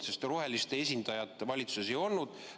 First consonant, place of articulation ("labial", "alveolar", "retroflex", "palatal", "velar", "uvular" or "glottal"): alveolar